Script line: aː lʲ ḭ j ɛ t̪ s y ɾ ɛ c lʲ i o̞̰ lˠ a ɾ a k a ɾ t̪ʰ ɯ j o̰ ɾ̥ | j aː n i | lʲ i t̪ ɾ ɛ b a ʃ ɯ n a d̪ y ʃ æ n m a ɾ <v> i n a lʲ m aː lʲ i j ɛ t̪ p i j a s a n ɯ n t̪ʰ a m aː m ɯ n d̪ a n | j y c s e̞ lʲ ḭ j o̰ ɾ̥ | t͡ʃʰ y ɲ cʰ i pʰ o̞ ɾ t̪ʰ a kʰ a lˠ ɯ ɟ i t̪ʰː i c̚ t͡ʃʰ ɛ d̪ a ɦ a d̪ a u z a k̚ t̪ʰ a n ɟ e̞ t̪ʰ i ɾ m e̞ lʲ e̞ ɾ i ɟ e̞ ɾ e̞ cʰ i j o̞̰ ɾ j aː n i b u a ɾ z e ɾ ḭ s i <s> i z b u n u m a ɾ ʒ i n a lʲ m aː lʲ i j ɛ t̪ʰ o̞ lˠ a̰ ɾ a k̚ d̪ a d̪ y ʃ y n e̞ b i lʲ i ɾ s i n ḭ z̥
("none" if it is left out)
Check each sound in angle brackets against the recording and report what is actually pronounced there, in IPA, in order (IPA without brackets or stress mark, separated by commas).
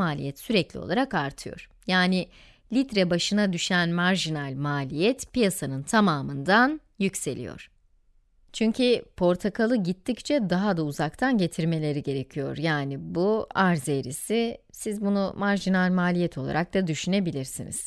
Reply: ʒ, s